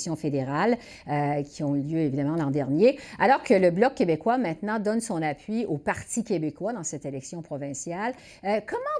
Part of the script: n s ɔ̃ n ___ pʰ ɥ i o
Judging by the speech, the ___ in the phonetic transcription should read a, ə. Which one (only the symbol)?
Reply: a